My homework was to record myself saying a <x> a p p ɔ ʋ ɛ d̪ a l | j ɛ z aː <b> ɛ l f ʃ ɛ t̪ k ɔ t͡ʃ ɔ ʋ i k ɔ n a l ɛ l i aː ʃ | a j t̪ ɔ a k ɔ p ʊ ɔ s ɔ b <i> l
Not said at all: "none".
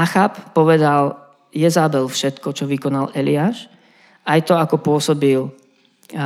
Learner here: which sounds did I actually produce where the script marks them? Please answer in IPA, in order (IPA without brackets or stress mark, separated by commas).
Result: x, b, i